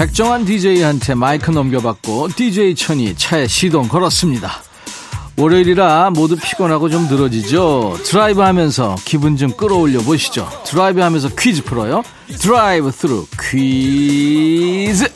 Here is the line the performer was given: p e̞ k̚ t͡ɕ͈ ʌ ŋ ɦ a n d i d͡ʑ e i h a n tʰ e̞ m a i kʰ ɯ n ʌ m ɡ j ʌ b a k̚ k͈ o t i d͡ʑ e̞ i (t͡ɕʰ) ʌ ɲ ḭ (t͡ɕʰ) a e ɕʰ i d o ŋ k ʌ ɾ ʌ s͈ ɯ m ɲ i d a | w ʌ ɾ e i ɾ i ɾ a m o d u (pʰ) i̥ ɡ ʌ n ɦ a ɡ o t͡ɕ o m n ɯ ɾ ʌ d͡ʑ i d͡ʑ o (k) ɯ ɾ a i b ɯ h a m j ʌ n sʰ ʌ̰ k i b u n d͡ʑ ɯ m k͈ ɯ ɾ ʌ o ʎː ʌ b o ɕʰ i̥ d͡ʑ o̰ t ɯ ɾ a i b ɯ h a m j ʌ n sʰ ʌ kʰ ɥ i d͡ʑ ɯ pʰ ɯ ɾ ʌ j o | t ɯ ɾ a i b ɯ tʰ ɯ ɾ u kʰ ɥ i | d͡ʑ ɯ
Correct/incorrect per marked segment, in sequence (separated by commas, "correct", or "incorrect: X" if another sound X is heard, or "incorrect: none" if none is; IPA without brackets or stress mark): correct, correct, correct, incorrect: t